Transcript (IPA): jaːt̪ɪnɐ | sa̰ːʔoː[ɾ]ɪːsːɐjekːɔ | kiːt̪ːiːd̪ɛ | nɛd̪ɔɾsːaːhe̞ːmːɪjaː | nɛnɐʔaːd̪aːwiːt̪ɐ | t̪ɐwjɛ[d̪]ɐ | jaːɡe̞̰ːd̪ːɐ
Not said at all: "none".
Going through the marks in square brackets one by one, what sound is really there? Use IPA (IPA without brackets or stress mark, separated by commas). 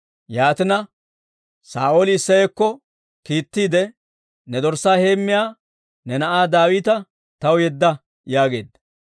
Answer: l, d̪ː